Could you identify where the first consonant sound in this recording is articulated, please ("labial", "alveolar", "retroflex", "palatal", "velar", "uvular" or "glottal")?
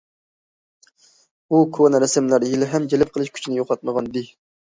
velar